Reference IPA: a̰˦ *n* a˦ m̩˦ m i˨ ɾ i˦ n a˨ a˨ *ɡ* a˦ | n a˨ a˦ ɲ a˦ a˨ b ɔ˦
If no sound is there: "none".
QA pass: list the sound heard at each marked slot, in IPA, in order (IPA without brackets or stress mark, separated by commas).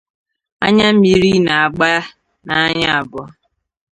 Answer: ɲ, ɡ͡b